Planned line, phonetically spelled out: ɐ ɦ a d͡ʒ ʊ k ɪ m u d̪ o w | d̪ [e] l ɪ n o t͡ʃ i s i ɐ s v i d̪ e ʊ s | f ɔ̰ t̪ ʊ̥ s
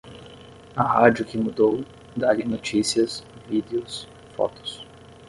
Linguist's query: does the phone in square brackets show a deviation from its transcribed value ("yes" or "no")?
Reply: yes